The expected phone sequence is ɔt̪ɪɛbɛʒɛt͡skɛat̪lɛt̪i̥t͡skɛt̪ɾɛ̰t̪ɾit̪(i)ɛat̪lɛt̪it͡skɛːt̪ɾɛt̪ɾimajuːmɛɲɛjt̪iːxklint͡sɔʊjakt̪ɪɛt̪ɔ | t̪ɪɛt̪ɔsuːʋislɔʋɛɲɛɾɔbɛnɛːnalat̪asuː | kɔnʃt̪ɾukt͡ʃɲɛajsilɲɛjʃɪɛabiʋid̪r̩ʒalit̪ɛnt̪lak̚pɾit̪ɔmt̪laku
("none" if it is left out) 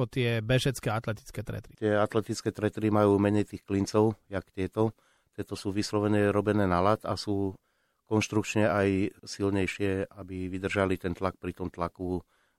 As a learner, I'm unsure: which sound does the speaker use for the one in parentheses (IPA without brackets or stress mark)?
ɪ